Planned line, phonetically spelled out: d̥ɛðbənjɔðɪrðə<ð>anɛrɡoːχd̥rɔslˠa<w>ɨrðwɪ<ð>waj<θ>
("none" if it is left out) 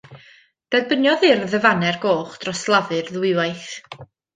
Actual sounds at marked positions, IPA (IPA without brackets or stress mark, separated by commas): v, v, none, θ